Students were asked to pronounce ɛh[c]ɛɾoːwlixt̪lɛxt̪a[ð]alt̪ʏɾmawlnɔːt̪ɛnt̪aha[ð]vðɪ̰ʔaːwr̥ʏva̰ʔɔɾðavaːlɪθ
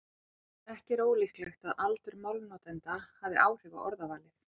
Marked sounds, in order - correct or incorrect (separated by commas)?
correct, correct, incorrect